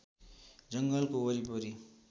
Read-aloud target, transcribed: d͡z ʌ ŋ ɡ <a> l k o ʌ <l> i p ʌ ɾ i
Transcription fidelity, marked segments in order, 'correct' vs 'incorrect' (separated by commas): incorrect, incorrect